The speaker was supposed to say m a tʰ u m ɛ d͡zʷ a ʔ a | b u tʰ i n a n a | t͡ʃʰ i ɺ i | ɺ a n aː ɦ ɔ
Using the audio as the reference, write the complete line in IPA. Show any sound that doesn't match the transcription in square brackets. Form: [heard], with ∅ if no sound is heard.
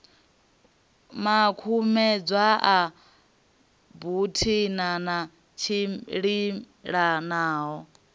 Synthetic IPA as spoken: m a [kʰ] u m ɛ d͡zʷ a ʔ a | b u tʰ i n a n a | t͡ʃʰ i ɺ i | ɺ a n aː ɦ ɔ